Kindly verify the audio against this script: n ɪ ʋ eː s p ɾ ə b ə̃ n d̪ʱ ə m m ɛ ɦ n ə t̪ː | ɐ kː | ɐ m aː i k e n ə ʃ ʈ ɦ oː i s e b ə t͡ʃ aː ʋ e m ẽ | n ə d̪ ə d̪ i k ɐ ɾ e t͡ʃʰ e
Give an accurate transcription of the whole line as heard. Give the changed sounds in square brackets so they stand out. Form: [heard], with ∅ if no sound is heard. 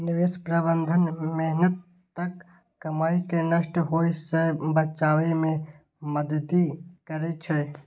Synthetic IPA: n ɪ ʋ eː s p ɾ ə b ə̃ n d̪ʱ ə [n] m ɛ ɦ n ə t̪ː | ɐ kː | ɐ m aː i k e n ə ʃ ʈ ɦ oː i s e b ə t͡ʃ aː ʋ e m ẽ | [m] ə d̪ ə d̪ i k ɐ ɾ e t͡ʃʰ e